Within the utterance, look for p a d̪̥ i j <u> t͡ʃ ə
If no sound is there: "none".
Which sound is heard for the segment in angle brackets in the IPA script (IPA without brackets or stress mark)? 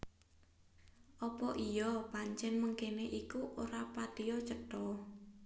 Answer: ɔ